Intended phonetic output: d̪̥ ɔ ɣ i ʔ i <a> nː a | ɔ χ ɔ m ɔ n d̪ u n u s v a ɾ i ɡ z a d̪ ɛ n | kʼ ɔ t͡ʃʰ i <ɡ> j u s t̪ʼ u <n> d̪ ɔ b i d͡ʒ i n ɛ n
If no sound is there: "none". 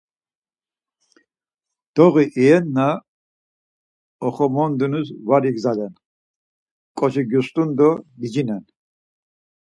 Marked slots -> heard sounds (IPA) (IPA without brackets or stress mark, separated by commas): ɛ, ɡ, n